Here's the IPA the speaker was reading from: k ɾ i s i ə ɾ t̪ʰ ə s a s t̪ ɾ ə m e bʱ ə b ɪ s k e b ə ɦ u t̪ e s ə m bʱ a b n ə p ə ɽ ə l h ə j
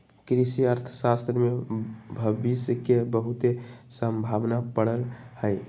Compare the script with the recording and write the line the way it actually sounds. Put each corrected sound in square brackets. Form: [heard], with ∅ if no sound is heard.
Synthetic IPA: k ɾ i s i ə ɾ t̪ʰ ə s a s t̪ ɾ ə m e bʱ ə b [i] s k e b ə ɦ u t̪ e s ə m bʱ a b n [a] p ə ɽ ə l h ə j